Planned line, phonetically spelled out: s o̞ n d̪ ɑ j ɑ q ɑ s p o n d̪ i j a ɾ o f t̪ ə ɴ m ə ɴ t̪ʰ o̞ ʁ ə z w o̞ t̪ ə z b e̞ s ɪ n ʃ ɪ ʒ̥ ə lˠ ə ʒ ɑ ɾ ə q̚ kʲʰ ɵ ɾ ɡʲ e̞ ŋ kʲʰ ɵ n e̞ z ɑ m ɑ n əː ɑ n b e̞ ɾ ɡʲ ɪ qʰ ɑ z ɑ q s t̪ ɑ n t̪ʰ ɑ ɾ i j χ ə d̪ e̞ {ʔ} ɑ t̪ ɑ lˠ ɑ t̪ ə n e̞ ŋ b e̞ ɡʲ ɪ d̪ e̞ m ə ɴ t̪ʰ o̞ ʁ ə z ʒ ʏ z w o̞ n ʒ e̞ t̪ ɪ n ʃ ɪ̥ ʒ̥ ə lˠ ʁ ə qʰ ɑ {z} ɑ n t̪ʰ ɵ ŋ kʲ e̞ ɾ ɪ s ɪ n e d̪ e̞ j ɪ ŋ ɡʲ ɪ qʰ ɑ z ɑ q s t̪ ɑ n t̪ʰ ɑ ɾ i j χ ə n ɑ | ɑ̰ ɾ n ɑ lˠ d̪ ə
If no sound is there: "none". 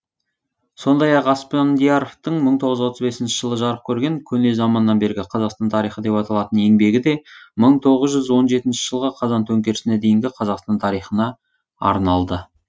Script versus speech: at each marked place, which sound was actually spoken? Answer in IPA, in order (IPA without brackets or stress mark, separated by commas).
p, z